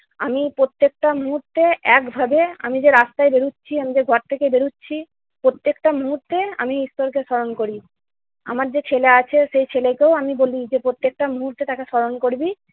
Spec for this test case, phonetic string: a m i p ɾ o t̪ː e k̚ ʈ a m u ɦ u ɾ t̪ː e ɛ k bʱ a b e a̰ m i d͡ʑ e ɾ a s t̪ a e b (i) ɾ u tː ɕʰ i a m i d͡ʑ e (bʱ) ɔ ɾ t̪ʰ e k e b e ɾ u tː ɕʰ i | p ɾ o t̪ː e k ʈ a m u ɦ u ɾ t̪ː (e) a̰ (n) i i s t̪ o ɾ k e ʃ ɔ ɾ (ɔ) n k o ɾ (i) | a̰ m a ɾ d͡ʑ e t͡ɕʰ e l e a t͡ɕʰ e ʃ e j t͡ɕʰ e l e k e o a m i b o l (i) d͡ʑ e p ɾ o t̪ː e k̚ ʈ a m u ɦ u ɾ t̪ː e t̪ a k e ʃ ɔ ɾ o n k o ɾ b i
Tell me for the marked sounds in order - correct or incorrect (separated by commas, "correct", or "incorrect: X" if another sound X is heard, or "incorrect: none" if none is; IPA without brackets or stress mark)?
incorrect: e, incorrect: ɡʱ, correct, incorrect: m, incorrect: o, correct, correct